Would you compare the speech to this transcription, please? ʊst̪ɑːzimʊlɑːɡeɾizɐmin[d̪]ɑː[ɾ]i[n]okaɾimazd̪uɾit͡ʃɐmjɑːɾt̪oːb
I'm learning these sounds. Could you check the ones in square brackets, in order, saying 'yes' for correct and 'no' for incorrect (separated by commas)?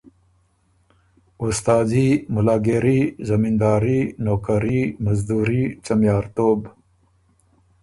yes, yes, yes